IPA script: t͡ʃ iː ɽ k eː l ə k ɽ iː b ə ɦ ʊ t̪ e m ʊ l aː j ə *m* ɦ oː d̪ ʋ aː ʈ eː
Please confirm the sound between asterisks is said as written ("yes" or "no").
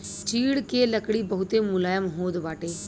yes